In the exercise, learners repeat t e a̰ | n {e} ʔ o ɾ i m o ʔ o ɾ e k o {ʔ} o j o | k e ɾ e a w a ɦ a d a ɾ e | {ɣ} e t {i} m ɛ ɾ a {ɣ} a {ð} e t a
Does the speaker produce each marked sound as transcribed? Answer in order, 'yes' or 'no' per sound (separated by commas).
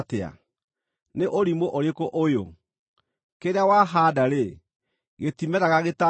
yes, yes, yes, yes, yes, no